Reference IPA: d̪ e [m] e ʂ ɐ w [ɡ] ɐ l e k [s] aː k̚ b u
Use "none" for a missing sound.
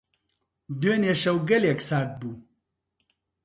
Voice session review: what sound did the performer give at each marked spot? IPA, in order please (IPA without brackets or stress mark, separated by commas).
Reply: n, ɡ, s